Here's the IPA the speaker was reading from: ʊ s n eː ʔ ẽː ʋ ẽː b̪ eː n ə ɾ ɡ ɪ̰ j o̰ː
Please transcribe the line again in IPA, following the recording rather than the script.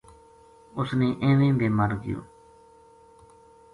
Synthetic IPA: ʊ s n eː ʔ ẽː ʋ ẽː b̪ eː m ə ɾ ɡ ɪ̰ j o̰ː